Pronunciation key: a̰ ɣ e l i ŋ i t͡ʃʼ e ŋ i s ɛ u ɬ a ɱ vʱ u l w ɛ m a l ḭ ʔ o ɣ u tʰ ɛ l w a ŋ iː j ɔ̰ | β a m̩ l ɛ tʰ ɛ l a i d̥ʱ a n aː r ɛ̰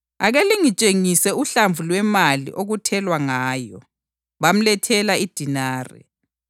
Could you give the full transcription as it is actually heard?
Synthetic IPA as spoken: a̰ ɣ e l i ŋ i t͡ʃʼ e ŋ i s ɛ u ɬ a ɱ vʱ u l w ɛ m a l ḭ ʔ o ɣ u tʰ ɛ l w a ŋ aː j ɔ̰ | β a m̩ l ɛ tʰ ɛ l a i d̥ʱ i n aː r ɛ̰